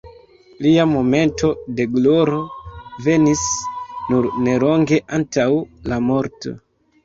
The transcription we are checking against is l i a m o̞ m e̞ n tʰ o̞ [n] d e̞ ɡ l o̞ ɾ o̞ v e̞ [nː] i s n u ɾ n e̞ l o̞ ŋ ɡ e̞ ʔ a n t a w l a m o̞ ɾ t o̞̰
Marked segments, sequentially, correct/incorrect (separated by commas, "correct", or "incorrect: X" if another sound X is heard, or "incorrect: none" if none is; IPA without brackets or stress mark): incorrect: none, incorrect: n